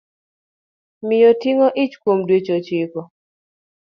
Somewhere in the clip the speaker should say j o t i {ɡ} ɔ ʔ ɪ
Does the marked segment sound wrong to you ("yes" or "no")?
yes